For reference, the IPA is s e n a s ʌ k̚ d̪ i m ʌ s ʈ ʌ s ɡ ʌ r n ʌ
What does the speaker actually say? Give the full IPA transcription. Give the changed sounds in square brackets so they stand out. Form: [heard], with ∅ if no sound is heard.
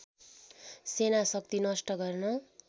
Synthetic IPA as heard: s e n a s ʌ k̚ [t̪] i [n] ʌ s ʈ ʌ [∅] ɡ ʌ r n ʌ